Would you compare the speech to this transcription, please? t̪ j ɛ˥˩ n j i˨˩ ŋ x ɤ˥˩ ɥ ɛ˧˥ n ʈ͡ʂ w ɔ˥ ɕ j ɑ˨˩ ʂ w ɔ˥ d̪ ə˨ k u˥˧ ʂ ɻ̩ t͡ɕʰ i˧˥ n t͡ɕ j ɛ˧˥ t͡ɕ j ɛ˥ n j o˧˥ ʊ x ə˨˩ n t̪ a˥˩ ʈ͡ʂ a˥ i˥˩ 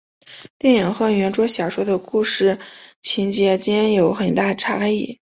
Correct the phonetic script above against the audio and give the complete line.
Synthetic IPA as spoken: t̪ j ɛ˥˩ n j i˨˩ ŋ x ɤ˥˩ ɥ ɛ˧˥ n ʈ͡ʂ w ɔ˥ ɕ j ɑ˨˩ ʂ w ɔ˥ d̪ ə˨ k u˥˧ ʂ ɻ̩ t͡ɕʰ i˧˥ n t͡ɕ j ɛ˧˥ t͡ɕ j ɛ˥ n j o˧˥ ʊ x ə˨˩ n t̪ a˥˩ ʈ͡ʂʰ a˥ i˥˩